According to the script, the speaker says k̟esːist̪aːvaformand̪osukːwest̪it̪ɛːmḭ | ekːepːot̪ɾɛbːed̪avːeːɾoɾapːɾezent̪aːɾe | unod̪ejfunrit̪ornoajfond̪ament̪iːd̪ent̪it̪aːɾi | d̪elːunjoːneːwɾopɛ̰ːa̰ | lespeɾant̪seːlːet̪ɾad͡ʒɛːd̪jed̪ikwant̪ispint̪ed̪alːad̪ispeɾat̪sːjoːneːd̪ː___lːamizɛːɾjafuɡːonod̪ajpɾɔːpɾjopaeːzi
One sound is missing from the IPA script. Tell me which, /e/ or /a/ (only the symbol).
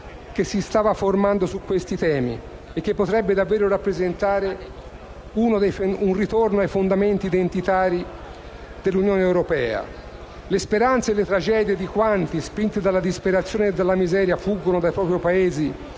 a